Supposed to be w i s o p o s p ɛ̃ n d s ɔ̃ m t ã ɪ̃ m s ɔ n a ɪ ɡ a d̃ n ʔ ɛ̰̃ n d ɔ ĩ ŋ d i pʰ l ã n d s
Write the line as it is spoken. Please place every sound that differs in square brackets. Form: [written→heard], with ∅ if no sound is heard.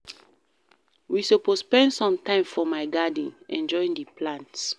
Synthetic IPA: w i s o p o s p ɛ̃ n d s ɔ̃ m t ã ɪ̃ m [s→f] ɔ [n→m] a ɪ ɡ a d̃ n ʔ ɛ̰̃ n [d→d͡ʒ] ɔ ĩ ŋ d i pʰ l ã n [d→t] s